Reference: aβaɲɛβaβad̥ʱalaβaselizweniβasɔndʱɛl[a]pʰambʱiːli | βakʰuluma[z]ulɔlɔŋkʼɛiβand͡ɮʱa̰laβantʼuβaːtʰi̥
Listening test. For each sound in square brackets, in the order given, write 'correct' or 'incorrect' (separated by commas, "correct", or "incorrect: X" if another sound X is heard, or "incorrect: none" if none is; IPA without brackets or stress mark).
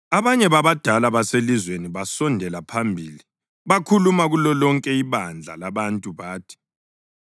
correct, incorrect: ɣ